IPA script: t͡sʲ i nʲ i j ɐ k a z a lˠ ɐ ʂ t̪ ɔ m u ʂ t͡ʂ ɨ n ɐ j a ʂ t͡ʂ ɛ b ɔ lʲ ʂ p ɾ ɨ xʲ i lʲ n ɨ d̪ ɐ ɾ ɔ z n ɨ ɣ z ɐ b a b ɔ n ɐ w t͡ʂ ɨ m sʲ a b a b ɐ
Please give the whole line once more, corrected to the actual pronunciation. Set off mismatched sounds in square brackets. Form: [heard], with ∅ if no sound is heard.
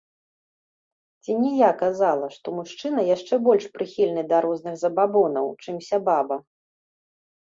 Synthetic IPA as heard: t͡sʲ i nʲ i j [a] k a z a lˠ ɐ ʂ t̪ ɔ m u ʂ t͡ʂ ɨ n ɐ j a ʂ t͡ʂ ɛ b ɔ lʲ ʂ p ɾ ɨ xʲ i lʲ n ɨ d̪ ɐ ɾ ɔ z n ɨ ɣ z ɐ b a b ɔ n ɐ w t͡ʂ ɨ m sʲ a b a b ɐ